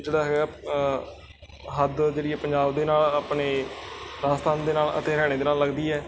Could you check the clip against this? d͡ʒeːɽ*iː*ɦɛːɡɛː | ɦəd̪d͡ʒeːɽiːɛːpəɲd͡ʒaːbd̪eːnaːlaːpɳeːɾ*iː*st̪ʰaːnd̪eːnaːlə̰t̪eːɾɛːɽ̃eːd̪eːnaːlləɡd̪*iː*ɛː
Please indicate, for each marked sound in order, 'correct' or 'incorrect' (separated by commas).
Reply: incorrect, incorrect, correct